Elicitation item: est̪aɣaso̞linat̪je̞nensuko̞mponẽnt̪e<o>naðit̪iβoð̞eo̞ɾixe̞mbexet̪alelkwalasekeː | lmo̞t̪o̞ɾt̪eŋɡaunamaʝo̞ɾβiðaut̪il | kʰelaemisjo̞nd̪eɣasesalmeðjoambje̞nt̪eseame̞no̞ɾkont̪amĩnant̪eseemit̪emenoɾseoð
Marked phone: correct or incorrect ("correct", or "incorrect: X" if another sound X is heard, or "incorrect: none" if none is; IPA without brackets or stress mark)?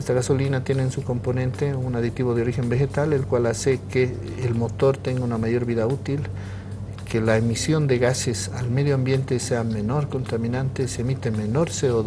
incorrect: u